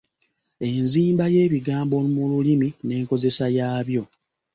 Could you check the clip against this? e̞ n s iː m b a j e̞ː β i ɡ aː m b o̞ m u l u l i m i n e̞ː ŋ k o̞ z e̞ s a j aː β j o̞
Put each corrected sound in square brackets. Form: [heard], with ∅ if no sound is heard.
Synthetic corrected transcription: e̞ n [z] iː m b a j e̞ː β i ɡ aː m b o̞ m u l u l i m i n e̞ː ŋ k o̞ z e̞ s a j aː β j o̞